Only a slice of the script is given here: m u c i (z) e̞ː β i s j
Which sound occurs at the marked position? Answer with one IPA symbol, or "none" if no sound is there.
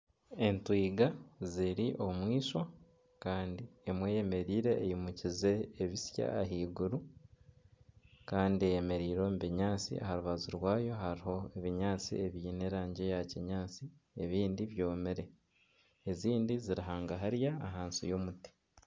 z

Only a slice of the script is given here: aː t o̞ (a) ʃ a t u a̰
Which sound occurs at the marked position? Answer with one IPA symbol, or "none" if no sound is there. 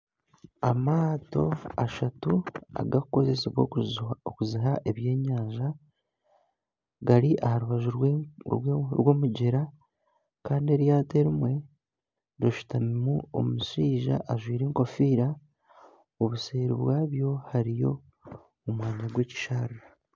a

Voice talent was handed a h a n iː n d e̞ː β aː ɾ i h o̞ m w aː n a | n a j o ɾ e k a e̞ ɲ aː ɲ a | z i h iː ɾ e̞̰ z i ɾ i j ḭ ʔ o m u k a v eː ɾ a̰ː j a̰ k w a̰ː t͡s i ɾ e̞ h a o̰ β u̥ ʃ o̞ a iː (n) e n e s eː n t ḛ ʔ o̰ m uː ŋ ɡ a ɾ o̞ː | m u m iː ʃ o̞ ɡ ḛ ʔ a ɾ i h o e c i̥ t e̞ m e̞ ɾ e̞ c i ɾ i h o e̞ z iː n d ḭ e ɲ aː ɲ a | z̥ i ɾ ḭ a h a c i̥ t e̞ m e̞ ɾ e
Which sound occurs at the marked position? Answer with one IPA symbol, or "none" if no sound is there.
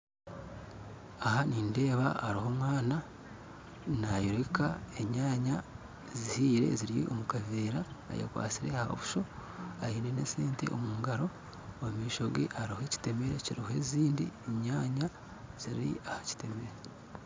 n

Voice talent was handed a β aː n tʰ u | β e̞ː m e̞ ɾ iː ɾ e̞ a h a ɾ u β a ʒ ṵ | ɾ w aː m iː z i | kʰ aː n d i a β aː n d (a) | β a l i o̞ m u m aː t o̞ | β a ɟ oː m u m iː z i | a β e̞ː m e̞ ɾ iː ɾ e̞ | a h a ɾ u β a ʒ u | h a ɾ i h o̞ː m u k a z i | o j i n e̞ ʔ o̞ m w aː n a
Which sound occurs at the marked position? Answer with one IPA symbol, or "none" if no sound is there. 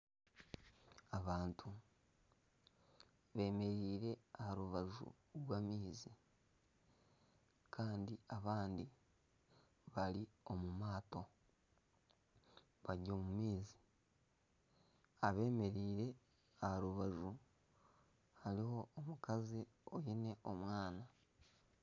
i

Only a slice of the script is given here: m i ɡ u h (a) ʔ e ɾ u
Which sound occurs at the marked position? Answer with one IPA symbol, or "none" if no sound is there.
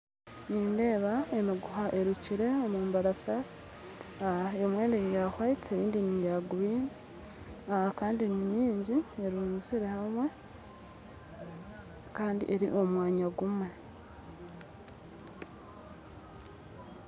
a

